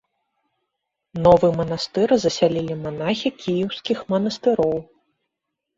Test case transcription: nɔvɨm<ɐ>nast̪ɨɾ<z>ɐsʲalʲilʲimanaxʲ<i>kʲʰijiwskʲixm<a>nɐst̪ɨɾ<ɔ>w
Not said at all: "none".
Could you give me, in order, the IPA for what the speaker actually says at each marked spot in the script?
ɐ, z, i, ɐ, ɔ

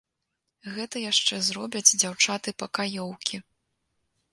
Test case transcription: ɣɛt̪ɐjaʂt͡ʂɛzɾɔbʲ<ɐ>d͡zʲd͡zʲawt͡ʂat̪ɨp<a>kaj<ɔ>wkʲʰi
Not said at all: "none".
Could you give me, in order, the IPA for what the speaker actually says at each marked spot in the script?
ɐ, ɐ, ɔ

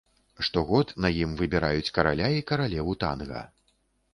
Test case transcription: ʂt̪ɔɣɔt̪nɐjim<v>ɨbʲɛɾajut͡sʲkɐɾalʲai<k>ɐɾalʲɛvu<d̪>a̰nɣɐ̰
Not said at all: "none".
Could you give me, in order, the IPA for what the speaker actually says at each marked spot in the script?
v, k, t̪

